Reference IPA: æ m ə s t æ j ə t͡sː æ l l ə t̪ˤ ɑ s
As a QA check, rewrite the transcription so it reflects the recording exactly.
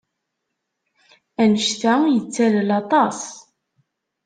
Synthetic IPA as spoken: æ n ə ʃ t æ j ə t͡sː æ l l ɑ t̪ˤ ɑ s